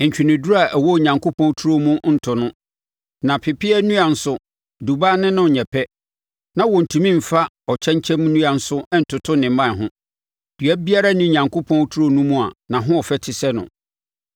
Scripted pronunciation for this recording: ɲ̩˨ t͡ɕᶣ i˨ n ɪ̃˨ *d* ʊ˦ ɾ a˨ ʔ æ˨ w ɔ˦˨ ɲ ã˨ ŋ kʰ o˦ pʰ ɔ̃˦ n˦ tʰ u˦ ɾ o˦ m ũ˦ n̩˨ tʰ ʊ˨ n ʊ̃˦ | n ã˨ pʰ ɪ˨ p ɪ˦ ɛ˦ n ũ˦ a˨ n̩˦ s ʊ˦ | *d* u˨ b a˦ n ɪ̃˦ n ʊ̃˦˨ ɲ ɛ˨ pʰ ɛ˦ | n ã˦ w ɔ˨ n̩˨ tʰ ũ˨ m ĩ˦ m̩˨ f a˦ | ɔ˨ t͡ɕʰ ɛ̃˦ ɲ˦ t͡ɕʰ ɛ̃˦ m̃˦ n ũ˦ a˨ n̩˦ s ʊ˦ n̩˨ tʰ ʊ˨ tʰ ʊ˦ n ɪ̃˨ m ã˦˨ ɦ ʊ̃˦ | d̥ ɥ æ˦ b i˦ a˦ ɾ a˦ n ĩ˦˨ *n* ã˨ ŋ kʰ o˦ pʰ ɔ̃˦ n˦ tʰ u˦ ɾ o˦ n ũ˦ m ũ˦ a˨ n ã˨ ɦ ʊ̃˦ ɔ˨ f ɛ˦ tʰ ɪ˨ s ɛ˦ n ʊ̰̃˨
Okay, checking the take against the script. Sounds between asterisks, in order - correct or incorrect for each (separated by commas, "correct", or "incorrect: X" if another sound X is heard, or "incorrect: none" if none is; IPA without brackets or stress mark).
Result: correct, correct, incorrect: ɲ